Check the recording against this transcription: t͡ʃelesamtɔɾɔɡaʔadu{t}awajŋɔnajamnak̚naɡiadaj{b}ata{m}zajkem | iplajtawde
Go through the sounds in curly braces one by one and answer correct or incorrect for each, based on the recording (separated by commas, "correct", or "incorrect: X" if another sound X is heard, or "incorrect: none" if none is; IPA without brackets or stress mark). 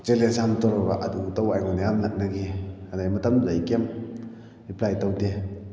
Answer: correct, incorrect: m, correct